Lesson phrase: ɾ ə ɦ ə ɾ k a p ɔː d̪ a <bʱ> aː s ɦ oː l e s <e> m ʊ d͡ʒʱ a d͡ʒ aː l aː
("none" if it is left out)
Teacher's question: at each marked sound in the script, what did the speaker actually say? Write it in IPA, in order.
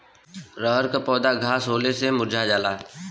ɡʱ, e

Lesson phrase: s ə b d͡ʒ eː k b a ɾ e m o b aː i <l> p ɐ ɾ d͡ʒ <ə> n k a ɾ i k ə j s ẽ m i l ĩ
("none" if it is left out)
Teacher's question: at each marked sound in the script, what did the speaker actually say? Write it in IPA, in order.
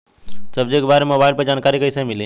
l, a

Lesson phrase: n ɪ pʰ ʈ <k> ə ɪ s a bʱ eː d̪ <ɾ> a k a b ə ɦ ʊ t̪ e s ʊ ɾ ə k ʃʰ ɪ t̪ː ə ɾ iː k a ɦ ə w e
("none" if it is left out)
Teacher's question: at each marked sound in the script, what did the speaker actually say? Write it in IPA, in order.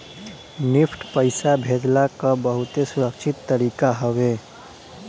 p, l

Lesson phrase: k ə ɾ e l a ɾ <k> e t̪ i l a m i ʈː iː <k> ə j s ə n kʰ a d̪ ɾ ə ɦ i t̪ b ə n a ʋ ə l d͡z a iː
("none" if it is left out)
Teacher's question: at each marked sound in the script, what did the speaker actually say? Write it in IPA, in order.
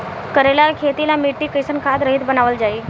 kʰ, k

